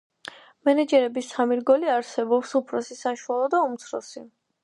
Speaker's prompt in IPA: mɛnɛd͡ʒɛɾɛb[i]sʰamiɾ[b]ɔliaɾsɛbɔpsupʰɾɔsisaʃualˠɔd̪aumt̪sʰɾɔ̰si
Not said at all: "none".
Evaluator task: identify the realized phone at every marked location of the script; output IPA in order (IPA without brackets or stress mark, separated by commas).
i, ɡ